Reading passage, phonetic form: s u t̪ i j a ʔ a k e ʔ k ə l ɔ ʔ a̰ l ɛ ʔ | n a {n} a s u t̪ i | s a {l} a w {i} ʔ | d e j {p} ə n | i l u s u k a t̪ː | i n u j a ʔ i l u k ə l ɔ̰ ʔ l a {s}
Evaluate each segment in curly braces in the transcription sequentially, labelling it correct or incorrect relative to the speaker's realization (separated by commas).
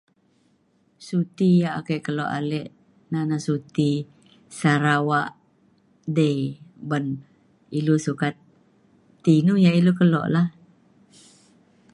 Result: correct, incorrect, incorrect, incorrect, incorrect